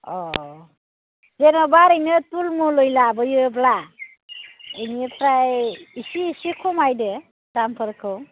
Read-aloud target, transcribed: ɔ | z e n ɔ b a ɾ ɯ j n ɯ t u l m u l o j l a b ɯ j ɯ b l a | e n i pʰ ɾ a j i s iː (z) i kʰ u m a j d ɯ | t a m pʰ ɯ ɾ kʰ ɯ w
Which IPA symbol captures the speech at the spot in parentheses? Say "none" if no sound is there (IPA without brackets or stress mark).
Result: s